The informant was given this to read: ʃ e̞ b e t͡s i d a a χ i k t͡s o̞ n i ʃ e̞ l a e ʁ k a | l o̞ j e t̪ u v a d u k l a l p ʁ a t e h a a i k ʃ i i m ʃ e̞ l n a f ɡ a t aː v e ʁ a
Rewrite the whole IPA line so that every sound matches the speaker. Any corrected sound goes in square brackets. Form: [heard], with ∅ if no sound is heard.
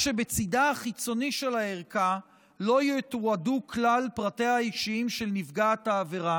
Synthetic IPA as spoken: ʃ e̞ b e t͡s i d a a χ i [∅] t͡s o̞ n i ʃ e̞ l a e ʁ k a | l o̞ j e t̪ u [∅] a d u k l a l p ʁ a t e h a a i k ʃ i i m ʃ e̞ l n [i] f ɡ a t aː v e ʁ a